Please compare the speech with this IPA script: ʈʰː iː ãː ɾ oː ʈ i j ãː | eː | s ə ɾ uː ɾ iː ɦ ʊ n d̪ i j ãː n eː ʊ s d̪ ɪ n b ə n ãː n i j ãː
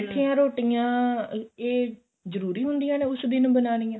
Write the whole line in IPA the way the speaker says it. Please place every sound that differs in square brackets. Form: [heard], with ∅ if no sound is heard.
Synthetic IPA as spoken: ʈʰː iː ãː ɾ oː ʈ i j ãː | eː | [z] ə ɾ uː ɾ iː ɦ ʊ n d̪ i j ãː n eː ʊ s d̪ ɪ n b ə n [aː] n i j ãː